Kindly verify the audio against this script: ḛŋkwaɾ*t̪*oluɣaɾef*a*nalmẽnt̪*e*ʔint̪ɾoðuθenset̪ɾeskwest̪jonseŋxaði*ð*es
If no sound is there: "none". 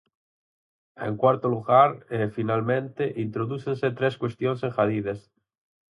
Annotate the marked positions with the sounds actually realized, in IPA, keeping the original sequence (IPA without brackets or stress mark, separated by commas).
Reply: t̪, i, e, ð